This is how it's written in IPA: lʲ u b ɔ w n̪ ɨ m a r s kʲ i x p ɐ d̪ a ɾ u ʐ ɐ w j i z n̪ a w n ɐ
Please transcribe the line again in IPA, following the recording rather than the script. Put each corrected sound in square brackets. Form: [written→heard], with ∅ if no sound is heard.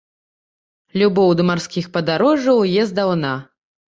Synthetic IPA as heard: lʲ u b ɔ w [n̪→d̪] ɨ m a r s kʲ i x p ɐ d̪ a ɾ [u→ɔ] ʐ ɐ w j [i→ɛ] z [n̪→d̪] a w n [ɐ→a]